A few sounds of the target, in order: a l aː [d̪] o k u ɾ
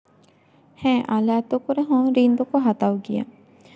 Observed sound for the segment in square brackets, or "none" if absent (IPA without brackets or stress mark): t̪